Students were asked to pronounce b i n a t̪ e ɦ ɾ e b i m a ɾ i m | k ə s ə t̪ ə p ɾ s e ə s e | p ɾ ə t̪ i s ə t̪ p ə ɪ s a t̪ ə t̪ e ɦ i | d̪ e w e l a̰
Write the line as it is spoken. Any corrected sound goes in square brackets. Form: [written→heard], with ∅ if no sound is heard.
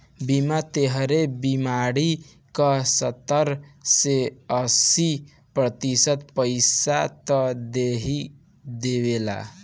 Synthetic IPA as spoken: b i [n→m] a t̪ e ɦ ɾ e b i m a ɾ i [m→∅] | k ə s ə t̪ ə [p→∅] ɾ s e ə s [e→i] | p ɾ ə t̪ i s ə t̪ p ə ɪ s a t̪ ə [t̪→d̪] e ɦ i | d̪ e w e l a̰